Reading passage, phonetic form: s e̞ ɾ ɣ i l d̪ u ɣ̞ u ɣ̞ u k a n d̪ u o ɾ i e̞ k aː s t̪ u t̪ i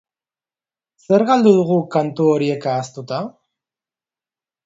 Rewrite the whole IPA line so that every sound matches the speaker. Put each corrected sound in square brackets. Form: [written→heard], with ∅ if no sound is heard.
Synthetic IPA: s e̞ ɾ ɣ [i→a] l d̪ u [ɣ̞→ð̞] u ɣ̞ u k a n [d̪→t̪] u o ɾ i e̞ k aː s t̪ u t̪ [i→a]